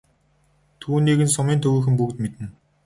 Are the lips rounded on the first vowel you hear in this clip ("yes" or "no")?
yes